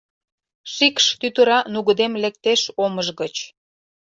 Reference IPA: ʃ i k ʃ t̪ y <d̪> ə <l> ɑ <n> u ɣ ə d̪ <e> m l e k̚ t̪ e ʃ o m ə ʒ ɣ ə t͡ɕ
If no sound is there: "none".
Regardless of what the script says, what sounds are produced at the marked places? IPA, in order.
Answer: t̪, ɾ, n, e

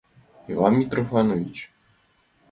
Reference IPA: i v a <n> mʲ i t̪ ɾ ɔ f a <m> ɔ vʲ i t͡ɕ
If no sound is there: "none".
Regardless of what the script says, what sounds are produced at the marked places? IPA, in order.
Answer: n, n

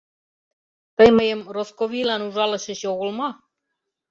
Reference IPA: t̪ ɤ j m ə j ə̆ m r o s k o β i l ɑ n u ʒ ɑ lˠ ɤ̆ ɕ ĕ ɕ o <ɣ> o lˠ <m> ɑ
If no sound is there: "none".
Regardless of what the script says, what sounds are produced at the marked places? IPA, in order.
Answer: ɣ, m

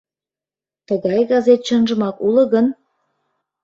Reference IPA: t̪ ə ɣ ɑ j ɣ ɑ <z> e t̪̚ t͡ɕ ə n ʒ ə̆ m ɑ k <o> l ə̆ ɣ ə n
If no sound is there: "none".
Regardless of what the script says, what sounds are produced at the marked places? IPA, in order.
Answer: z, u

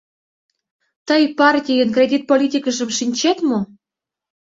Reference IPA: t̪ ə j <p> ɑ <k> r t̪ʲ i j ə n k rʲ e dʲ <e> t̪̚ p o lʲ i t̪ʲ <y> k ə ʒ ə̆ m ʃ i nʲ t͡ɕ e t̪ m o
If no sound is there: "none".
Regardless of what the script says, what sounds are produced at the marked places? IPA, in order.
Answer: p, none, i, i

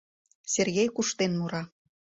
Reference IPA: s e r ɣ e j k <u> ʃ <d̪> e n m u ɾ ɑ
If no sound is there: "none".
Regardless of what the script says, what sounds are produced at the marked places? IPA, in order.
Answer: u, t̪

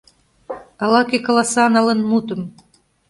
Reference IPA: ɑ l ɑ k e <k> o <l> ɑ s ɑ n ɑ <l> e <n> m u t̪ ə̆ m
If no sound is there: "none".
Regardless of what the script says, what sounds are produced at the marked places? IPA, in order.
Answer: k, l, l, n

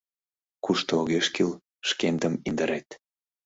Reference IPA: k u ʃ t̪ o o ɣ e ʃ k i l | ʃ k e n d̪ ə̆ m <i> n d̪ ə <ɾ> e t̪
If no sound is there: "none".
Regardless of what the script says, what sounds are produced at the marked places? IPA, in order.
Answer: i, ɾ

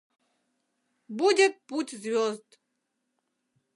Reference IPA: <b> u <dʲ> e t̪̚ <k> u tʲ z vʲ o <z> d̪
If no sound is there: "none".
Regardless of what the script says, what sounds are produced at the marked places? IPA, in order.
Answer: b, dʲ, p, z

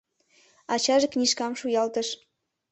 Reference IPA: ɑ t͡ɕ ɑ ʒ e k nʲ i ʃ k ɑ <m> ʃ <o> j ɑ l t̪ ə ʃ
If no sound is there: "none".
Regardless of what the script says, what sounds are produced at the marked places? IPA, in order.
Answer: m, u

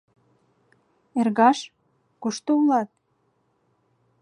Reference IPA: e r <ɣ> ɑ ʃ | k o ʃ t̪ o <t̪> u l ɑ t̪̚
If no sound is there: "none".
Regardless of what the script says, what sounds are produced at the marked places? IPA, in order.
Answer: ɣ, none

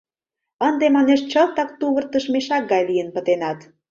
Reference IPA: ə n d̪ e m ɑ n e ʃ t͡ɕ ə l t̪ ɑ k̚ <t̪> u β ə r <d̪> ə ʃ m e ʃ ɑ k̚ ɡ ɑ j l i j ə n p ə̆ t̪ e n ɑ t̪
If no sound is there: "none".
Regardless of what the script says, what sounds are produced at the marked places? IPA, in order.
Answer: t̪, t̪

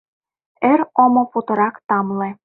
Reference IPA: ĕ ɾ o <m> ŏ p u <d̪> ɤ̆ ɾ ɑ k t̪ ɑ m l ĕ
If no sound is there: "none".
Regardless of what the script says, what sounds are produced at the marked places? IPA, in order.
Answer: m, t̪

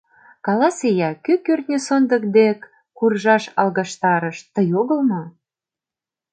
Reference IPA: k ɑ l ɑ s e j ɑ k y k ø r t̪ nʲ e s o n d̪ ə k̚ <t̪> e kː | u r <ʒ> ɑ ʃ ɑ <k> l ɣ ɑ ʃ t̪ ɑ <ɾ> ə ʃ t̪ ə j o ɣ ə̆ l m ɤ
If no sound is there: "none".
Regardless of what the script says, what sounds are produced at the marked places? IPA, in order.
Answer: d̪, ʒ, none, ɾ

